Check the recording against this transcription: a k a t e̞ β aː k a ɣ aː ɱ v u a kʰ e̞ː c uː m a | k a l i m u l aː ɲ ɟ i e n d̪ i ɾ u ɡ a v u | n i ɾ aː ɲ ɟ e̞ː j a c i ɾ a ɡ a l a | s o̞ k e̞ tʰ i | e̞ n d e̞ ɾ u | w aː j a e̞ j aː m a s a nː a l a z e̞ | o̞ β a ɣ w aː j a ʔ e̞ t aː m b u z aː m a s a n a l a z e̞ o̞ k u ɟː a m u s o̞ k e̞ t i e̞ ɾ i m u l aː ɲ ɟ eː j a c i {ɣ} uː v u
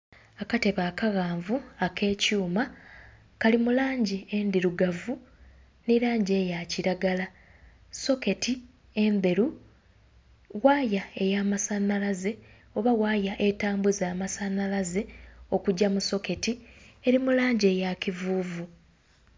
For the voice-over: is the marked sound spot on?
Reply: no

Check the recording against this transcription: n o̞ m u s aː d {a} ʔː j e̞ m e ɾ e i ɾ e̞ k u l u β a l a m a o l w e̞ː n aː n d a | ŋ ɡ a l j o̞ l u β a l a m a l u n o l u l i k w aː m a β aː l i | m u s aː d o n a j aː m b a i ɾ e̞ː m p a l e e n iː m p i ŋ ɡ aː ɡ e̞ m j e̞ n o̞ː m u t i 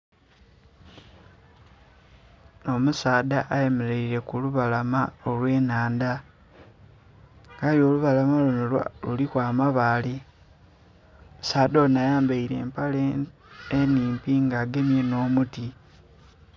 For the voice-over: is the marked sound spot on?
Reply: yes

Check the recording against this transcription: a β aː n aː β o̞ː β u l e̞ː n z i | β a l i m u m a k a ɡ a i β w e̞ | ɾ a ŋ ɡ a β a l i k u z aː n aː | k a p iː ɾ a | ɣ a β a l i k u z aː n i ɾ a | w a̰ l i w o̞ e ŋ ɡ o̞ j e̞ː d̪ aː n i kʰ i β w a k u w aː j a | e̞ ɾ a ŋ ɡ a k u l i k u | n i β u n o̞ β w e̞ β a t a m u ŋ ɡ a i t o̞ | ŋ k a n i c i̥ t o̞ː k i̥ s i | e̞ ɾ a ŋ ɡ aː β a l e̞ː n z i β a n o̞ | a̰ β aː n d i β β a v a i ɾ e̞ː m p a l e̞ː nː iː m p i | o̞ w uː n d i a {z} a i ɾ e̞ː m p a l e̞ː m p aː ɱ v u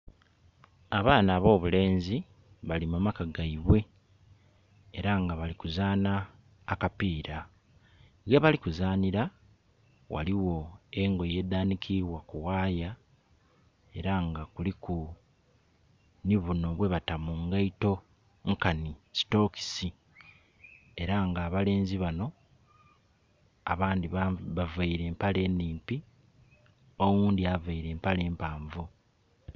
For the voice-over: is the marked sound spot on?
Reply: no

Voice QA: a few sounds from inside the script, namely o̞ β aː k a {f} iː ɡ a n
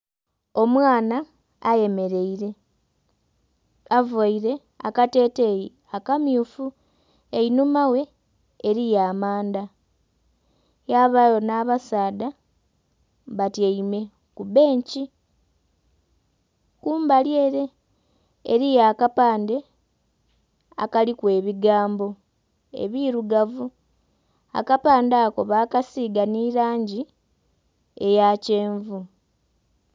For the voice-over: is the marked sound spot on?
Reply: no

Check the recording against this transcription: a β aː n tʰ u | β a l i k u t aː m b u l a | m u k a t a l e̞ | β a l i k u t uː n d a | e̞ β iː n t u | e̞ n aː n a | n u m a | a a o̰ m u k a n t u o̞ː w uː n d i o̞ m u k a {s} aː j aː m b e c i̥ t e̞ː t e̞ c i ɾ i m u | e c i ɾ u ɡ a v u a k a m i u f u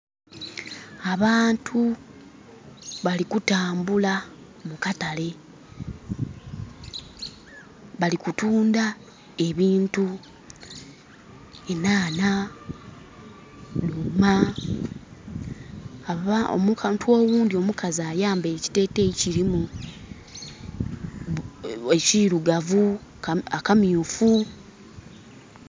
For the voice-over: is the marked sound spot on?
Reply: no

